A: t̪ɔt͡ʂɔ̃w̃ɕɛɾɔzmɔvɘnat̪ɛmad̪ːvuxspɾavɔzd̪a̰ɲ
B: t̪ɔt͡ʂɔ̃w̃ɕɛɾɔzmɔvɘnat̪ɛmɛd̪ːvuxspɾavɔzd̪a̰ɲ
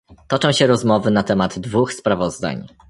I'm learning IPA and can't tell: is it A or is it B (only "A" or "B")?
A